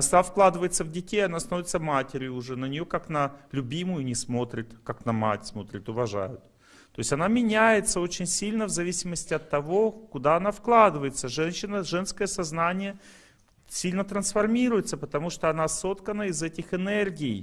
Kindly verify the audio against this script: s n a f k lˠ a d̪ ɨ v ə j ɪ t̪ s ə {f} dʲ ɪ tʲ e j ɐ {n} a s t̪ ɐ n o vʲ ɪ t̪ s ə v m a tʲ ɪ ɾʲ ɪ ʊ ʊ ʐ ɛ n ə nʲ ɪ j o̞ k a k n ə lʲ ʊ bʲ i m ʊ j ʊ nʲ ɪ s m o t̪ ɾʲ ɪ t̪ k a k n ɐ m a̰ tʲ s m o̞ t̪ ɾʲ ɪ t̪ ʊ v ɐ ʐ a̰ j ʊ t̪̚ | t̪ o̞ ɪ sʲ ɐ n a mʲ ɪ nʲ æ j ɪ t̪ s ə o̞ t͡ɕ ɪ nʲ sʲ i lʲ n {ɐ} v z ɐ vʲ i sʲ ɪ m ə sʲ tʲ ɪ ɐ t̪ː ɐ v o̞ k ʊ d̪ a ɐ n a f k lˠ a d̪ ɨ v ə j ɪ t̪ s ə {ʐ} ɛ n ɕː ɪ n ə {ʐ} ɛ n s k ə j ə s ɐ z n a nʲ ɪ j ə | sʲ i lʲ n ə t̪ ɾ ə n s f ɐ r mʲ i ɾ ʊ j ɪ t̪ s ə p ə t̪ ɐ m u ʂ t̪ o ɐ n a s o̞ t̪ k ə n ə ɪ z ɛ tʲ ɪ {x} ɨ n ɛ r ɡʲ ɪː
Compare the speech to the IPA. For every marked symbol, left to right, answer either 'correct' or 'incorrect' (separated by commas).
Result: incorrect, correct, incorrect, correct, correct, correct